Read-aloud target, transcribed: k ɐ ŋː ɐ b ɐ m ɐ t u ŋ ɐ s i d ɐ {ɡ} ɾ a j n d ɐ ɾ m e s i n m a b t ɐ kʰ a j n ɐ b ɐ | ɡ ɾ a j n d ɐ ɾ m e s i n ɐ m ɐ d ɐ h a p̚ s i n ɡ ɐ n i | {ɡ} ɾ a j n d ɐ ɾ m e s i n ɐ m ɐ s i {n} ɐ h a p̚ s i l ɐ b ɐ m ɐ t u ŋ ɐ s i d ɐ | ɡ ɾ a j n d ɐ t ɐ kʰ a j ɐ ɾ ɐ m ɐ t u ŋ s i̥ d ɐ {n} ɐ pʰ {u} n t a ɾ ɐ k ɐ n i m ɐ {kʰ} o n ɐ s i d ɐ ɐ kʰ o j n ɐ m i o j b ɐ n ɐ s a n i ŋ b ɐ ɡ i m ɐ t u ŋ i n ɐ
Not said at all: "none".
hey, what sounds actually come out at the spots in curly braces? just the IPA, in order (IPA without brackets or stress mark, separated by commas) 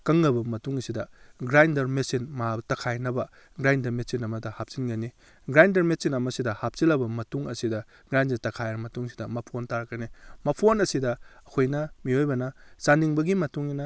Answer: ɡ, ɡ, d, m, o, pʰ